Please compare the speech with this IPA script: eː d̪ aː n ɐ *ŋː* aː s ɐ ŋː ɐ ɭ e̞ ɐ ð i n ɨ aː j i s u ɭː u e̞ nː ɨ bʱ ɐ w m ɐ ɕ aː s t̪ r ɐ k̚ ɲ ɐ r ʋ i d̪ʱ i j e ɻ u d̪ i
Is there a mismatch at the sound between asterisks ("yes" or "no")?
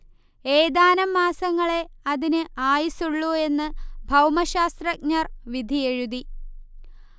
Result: yes